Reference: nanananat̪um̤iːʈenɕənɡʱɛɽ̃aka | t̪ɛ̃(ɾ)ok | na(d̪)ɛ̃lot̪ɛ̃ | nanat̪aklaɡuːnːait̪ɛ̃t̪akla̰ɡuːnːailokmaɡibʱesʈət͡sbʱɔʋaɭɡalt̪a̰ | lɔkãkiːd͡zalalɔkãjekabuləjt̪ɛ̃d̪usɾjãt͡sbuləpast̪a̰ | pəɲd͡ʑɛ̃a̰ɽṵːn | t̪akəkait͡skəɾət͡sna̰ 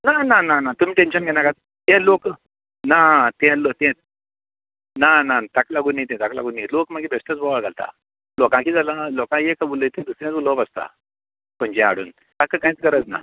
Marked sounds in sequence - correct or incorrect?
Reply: incorrect, incorrect

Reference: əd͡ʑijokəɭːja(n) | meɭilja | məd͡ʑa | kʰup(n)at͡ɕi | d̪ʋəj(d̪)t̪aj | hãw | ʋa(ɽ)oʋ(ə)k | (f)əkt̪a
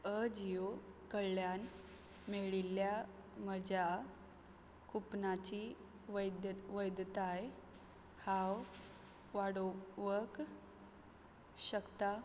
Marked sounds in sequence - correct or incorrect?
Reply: correct, correct, correct, correct, correct, incorrect

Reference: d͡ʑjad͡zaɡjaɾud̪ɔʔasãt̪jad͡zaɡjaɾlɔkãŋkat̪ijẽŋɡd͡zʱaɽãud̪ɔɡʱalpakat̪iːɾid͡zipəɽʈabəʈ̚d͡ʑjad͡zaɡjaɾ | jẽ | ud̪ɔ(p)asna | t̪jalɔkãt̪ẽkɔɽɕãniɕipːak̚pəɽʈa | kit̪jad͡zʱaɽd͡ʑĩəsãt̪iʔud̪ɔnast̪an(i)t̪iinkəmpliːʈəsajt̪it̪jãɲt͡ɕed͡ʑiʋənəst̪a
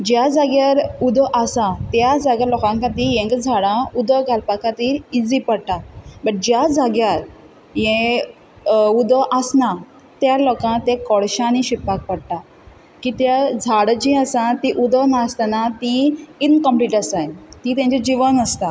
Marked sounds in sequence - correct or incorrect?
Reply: incorrect, incorrect

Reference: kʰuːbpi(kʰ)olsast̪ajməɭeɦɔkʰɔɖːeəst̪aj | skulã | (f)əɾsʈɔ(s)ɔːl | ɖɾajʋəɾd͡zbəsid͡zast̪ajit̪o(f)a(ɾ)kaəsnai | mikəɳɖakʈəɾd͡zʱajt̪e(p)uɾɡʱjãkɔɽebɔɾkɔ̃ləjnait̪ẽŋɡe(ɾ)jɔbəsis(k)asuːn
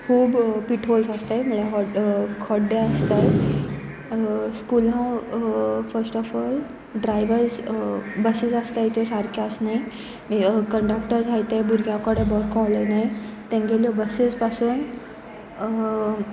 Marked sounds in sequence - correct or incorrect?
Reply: incorrect, correct, incorrect, incorrect, correct, incorrect, incorrect, incorrect

